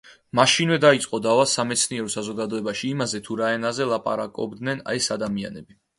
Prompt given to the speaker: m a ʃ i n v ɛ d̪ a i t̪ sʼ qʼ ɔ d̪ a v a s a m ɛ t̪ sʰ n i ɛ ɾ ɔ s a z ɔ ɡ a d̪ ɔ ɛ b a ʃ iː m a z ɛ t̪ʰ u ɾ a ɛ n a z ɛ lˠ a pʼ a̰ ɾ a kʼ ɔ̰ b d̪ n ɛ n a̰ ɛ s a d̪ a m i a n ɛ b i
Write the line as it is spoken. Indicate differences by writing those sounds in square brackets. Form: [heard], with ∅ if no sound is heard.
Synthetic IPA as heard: m a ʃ i n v ɛ d̪ a i t̪ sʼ qʼ ɔ d̪ a v a s a m ɛ t̪ sʰ n i ɛ ɾ ɔ s a z ɔ ɡ a d̪ ɔ ɛ b a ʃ iː m a z ɛ t̪ʰ u ɾ a ɛ n a z ɛ lˠ a pʼ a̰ ɾ a kʼ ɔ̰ b d̪ n ɛ n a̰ ɛ s a d̪ a m i a n ɛ b i